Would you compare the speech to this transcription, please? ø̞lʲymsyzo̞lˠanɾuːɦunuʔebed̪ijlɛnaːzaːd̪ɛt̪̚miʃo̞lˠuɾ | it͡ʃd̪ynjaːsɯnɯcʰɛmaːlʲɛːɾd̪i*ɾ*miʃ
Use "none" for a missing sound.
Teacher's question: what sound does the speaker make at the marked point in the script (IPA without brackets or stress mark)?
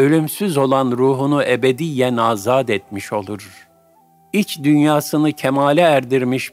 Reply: ɾ